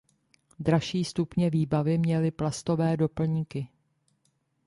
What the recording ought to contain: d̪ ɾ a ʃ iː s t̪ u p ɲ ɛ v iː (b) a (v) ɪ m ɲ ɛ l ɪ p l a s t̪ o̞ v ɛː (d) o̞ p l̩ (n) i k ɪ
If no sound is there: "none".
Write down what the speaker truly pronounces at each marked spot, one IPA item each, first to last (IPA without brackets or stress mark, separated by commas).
b, v, d, ɲ